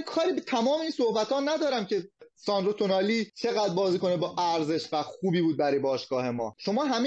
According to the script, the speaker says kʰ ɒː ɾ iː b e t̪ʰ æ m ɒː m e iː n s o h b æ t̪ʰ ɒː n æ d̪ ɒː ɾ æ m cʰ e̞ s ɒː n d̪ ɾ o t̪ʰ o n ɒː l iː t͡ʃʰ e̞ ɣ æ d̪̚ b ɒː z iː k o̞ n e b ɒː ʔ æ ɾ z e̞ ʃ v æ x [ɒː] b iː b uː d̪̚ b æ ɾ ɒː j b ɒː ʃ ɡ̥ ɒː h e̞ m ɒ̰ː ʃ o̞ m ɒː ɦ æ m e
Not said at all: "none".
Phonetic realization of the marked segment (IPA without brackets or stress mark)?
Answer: uː